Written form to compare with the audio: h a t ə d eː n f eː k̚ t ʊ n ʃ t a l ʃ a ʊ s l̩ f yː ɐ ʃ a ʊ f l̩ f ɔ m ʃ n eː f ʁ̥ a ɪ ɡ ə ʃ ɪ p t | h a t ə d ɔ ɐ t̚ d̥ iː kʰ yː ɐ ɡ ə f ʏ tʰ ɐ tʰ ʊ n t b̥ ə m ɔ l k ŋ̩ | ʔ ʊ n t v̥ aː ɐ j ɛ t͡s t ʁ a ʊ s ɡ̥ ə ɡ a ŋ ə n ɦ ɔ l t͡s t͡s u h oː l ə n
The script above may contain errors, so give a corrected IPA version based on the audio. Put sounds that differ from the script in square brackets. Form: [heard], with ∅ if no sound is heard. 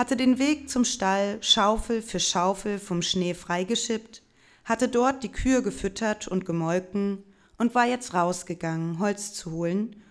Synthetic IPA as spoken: h a t ə d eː n [v] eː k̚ [t͡s] ʊ [m] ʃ t a l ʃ a ʊ [f] l̩ f yː ɐ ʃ a ʊ f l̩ f ɔ m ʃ n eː f ʁ̥ a ɪ ɡ ə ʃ ɪ p t | h a t ə d ɔ ɐ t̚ d̥ iː kʰ yː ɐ ɡ ə f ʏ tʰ ɐ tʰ ʊ n t [ɡ̥] ə m ɔ l k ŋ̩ | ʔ ʊ n t v̥ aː ɐ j ɛ t͡s t ʁ a ʊ s ɡ̥ ə ɡ a ŋ ə n ɦ ɔ l t͡s t͡s u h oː l ə n